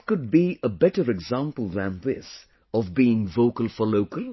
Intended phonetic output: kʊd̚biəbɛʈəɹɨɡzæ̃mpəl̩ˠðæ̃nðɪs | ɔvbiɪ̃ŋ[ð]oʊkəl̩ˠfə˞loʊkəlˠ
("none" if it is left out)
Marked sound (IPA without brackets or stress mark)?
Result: v